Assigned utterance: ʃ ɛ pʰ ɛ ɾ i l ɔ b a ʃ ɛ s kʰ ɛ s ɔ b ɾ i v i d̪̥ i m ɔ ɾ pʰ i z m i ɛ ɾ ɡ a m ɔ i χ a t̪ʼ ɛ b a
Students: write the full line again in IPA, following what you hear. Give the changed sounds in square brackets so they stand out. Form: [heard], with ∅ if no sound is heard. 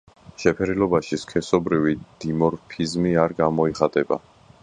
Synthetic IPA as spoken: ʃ ɛ pʰ ɛ ɾ i l ɔ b a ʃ [i] s kʰ ɛ s ɔ b ɾ i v i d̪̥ i m ɔ ɾ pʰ i z m i [a] ɾ ɡ a m ɔ i χ a t̪ʼ ɛ b a